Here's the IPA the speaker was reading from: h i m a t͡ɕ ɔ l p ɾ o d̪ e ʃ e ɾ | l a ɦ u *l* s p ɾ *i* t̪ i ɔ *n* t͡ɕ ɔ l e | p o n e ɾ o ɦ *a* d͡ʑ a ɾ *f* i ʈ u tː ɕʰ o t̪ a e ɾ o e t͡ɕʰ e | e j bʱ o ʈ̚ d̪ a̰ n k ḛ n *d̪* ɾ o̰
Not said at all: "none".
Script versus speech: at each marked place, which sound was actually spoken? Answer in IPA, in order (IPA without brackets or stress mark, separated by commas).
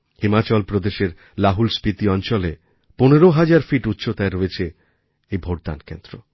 l, i, n, a, f, d̪